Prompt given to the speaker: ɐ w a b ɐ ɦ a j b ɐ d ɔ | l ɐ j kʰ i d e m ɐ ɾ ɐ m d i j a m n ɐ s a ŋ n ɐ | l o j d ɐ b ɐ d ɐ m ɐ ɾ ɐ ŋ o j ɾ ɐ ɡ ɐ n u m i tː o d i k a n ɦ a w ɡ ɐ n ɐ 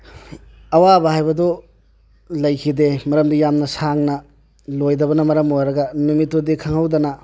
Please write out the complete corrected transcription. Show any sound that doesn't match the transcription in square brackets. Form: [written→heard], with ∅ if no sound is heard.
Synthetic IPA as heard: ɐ w a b ɐ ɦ a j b ɐ d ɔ | l ɐ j kʰ i d e m ɐ ɾ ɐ m d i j a m n ɐ s a ŋ n ɐ | l o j d ɐ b ɐ [d→n] ɐ m ɐ ɾ ɐ [ŋ→m] o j ɾ ɐ ɡ ɐ n u m i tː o d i [k→kʰ] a [n→ŋ] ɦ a w [ɡ→d] ɐ n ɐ